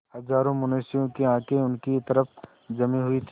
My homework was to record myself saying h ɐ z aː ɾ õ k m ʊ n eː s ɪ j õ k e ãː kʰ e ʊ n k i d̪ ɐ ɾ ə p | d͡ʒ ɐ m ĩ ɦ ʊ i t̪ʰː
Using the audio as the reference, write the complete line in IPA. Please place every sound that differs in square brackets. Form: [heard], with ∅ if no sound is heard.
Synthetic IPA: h ɐ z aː ɾ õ [∅] m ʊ n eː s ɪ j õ k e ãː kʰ e ʊ n k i [t̪] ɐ ɾ ə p | d͡ʒ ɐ m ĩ ɦ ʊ i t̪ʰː